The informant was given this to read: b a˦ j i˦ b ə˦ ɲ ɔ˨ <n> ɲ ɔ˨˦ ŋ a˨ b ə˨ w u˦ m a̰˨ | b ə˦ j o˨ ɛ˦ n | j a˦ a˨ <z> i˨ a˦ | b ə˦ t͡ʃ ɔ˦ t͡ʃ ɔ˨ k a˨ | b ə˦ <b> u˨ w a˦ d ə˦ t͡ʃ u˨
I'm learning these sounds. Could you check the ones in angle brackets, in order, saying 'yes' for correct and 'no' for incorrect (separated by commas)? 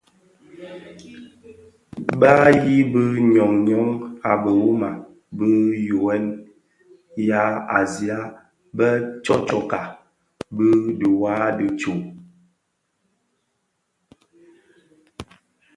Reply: no, yes, no